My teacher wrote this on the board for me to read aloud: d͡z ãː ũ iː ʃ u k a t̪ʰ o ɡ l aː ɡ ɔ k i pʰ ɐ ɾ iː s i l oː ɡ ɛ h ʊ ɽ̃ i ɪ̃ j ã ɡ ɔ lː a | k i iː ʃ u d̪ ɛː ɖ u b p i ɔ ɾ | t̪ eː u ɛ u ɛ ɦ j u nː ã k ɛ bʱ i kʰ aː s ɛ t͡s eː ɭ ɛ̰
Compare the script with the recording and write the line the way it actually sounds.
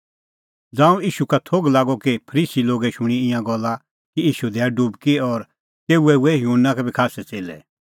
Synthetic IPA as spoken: d͡z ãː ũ iː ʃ u k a t̪ʰ o ɡ l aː ɡ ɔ k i pʰ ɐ ɾ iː s i l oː ɡ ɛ ʃ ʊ ɽ̃ i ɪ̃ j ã ɡ ɔ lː a | k i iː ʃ u d̪ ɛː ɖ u b k i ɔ ɾ | t̪ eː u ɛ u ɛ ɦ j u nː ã k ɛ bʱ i kʰ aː s ɛ t͡s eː l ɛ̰

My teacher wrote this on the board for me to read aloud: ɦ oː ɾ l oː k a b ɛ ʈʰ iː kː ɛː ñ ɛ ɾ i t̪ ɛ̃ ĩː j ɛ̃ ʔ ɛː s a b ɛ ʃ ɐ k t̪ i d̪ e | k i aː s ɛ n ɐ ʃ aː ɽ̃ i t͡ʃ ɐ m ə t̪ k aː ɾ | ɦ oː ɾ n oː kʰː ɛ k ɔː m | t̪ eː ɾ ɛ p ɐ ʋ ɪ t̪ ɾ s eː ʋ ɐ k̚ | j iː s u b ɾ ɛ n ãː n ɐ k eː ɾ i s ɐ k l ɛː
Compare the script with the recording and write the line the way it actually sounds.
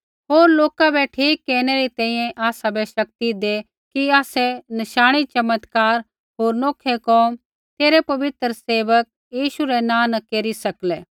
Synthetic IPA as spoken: ɦ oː ɾ l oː k a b ɛ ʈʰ iː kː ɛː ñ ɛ ɾ i t̪ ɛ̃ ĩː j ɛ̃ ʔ aː s a b ɛ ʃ ɐ k t̪ i d̪ e | k i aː s ɛ n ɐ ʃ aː ɽ̃ i t͡ʃ ɐ m ə t̪ k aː ɾ | ɦ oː ɾ n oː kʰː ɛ k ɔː m | t̪ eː ɾ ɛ p ɐ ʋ ɪ t̪ ɾ s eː ʋ ə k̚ | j iː ʃ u ɾ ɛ n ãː n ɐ k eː ɾ i s ɐ k l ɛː

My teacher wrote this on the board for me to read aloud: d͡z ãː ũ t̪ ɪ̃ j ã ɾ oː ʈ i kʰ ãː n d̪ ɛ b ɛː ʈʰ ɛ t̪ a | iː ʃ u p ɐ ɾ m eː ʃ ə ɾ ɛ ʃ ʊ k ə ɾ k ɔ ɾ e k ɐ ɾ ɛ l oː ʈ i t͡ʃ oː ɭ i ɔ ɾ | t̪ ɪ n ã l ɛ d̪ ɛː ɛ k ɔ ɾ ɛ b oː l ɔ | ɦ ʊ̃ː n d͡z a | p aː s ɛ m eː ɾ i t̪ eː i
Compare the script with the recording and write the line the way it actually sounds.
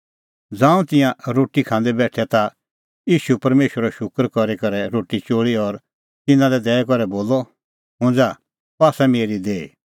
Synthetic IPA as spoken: d͡z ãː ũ t̪ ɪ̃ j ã ɾ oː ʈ i kʰ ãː n d̪ ɛ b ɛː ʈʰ ɛ t̪ a | iː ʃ u p ɐ ɾ m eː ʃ ə ɾ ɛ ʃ ʊ k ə ɾ k ɔ ɾ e k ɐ ɾ ɛ ɾ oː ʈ i t͡ʃ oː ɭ i ɔ ɾ | t̪ ɪ n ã l ɛ d̪ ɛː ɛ k ɔ ɾ ɛ b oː l ɔ | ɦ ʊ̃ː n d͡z a | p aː s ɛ m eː ɾ i d̪ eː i

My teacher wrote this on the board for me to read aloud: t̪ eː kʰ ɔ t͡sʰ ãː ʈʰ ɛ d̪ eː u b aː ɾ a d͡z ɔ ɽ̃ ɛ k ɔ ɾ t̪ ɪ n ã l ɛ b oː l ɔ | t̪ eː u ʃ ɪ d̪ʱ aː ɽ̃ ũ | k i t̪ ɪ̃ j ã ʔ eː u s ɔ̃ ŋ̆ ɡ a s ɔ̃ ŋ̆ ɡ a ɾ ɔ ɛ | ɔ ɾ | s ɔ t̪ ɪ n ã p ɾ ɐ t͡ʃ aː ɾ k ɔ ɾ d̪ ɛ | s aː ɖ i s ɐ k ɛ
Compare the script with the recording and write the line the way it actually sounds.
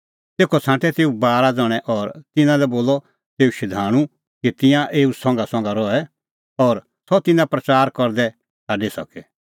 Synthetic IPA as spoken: t̪ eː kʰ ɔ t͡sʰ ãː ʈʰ ɛ t̪ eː u b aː ɾ a d͡z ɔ ɽ̃ ɛ ʔ ɔ ɾ t̪ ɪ n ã l ɛ b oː l ɔ | t̪ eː u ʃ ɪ d̪ʱ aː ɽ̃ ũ | k i t̪ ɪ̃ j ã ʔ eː u s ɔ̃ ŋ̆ ɡ a s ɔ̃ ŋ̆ ɡ a ɾ ɔ ɛ | ɔ ɾ | s ɔ t̪ ɪ n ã p ɾ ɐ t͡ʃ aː ɾ k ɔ ɾ d̪ ɛ | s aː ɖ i s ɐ k ɛ

